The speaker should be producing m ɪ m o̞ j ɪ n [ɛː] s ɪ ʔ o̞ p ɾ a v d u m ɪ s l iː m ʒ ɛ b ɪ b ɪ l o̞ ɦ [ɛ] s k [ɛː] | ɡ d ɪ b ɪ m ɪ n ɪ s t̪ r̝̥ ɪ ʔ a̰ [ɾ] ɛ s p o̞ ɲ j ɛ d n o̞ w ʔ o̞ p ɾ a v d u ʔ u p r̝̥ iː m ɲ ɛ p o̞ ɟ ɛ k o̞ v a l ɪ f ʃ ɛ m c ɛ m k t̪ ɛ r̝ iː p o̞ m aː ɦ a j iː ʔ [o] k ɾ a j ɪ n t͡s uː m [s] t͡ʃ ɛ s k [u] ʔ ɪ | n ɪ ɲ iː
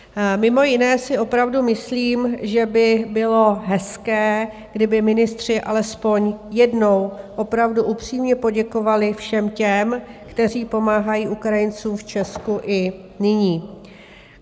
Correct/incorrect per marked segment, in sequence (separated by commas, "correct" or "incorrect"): correct, correct, correct, incorrect, incorrect, incorrect, correct